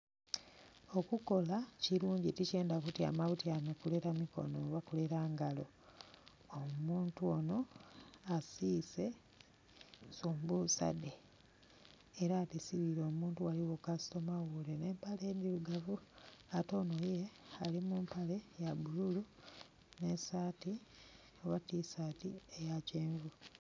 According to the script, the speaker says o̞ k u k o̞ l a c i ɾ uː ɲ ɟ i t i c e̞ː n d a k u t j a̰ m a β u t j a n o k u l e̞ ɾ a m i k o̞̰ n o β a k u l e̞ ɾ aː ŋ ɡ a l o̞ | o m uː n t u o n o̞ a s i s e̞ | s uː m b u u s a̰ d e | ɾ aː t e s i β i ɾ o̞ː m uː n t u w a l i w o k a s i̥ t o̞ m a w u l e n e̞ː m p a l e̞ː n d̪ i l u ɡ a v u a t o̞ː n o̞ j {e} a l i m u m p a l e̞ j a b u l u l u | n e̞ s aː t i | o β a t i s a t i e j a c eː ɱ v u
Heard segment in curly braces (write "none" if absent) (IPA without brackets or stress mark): e